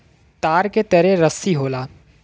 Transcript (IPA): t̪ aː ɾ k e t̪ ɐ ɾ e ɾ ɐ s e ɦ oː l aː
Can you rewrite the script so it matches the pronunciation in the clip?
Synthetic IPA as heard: t̪ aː ɾ k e t̪ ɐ ɾ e ɾ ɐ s i ɦ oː l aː